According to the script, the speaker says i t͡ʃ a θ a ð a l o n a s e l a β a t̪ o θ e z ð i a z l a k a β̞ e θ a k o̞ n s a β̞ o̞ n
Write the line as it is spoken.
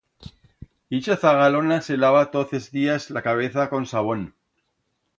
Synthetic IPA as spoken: i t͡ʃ a θ a ɣ a l o n a s e l a β a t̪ o θ e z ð i a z l a k a β̞ e θ a k o̞ n s a β̞ o̞ n